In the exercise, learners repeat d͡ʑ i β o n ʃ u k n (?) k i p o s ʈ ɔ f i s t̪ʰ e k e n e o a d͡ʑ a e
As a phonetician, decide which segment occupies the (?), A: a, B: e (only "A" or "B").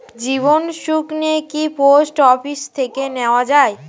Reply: B